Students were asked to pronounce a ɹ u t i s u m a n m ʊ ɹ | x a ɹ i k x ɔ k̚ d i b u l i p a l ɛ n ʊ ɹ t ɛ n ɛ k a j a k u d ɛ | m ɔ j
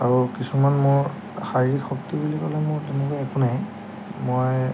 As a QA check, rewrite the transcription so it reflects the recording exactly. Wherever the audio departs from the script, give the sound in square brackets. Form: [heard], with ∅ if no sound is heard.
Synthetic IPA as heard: a ɹ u [k] i s u m a n m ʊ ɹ | x a ɹ i k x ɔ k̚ [t] i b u l i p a l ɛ [m] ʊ ɹ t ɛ n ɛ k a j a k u [n] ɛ | m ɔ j